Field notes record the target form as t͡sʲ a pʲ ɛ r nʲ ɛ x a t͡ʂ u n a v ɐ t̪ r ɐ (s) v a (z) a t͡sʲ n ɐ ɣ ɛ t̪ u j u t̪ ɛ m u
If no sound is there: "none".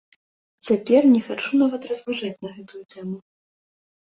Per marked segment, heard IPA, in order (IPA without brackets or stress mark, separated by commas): z, ʐ